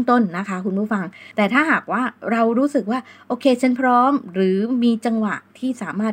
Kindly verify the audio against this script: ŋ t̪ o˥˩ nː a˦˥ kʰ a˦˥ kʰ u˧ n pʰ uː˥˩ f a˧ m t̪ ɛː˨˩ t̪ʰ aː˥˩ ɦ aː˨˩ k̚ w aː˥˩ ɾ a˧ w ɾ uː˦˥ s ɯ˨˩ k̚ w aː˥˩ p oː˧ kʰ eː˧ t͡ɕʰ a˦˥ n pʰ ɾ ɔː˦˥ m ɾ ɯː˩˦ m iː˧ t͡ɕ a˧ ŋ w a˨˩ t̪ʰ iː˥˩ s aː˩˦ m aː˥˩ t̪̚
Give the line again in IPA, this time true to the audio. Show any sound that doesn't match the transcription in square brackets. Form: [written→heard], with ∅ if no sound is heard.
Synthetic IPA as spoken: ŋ t̪ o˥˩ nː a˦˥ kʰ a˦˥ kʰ u˧ n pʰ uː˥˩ f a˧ [m→ŋ] t̪ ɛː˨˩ t̪ʰ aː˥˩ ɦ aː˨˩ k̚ w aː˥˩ ɾ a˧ w ɾ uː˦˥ s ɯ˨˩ k̚ w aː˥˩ [p→ʔ] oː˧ kʰ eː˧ t͡ɕʰ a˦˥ n pʰ ɾ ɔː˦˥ m ɾ ɯː˩˦ m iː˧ t͡ɕ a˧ ŋ w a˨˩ t̪ʰ iː˥˩ s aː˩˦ m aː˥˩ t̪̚